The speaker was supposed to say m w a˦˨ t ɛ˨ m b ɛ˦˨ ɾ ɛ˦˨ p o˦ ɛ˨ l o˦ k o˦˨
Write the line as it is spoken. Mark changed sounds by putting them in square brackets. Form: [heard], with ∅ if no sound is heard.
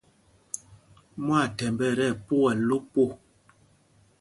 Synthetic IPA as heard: m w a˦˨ t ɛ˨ m b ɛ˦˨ ɾ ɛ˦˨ p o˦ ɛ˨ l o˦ [p] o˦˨